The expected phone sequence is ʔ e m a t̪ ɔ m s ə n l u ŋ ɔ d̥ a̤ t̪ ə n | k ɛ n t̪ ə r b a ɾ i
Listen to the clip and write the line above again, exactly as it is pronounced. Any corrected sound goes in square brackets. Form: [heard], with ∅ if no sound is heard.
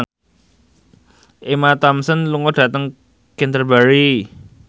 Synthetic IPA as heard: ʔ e m a t̪ ɔ m s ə n l u ŋ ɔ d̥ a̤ t̪ ə [ŋ] | k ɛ n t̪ ə r b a ɾ i

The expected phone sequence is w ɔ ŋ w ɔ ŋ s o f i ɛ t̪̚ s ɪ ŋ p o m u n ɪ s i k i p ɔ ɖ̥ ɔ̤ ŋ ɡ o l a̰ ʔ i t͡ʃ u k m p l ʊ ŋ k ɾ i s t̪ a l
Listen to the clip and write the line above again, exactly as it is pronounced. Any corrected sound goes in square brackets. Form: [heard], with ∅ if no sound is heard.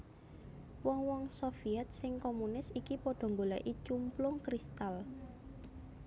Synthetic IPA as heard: w ɔ ŋ w ɔ ŋ s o f i ɛ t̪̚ s ɪ ŋ [k] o m u n ɪ s i k i p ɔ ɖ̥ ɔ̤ ŋ ɡ o l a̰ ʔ i t͡ʃ u [∅] m p l ʊ ŋ k ɾ i s t̪ a l

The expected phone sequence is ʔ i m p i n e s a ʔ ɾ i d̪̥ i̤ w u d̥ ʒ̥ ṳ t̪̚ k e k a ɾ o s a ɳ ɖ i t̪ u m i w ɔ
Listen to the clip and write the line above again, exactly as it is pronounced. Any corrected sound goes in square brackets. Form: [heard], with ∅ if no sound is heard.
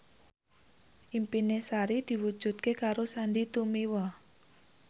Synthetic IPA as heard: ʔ i m p i n e s a [∅] ɾ i d̪̥ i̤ w u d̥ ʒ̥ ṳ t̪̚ k e k a ɾ o s a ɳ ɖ i t̪ u m i w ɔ

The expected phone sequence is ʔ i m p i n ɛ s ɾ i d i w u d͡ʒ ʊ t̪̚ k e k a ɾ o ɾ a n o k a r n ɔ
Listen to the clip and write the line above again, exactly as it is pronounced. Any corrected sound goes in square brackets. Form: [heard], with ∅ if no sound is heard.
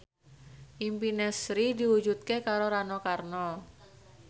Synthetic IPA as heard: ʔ i m p i n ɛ s ɾ i d i w u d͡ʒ [u] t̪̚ k e k a ɾ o ɾ a n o k a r n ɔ

